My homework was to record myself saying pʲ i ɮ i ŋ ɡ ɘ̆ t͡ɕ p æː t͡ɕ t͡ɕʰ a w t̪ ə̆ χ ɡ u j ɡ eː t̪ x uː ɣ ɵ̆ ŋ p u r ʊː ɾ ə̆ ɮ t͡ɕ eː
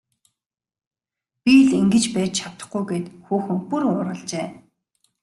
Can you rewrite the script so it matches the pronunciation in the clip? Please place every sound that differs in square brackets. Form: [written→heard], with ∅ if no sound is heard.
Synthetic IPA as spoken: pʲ i ɮ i ŋ ɡ ɘ̆ t͡ɕ p æː t͡ɕ t͡ɕʰ a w t̪ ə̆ χ ɡ u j ɡ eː t̪ x uː [ɣ→x] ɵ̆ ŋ p u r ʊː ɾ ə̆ ɮ t͡ɕ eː